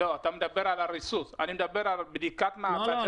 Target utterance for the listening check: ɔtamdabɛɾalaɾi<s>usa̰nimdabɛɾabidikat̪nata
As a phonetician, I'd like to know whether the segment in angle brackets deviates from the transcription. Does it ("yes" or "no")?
no